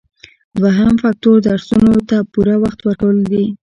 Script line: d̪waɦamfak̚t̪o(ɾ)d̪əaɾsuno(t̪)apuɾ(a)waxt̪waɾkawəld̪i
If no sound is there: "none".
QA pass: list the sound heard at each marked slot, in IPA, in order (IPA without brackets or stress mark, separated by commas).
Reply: ɾ, t̪, a